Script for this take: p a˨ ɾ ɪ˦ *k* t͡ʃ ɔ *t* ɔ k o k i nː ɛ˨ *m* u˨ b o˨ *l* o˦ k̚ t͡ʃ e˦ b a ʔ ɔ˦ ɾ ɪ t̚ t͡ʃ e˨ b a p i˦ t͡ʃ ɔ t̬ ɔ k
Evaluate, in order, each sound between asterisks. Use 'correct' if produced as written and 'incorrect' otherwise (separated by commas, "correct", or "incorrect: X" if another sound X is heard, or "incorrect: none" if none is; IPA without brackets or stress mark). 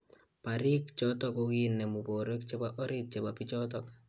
correct, correct, correct, incorrect: ɾ